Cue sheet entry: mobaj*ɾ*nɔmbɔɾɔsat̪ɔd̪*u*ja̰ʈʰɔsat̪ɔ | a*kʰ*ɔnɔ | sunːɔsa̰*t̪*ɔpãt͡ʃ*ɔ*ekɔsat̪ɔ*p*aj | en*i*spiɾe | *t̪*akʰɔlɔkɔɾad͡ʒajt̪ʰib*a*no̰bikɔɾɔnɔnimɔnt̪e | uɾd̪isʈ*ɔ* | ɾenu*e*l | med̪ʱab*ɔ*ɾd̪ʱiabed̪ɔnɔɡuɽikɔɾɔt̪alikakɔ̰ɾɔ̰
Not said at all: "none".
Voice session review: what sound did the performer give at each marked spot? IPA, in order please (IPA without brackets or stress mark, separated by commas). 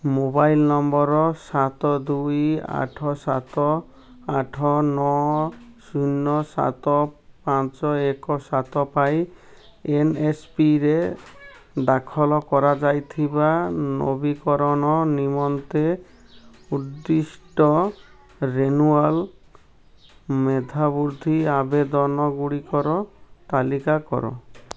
l, u, ʈʰ, t̪, ɔ, p, e, d̪, a, ɔ, a, u